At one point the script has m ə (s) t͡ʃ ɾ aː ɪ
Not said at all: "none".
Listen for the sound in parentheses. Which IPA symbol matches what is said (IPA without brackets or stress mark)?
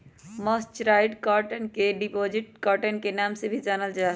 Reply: s